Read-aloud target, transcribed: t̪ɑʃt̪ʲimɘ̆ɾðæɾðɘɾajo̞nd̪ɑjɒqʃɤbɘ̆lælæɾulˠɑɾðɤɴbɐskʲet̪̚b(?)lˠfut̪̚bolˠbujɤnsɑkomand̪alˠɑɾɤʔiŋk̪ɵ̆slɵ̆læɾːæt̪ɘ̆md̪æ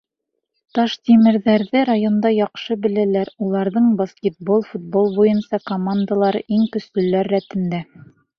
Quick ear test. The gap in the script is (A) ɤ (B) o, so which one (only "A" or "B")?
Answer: B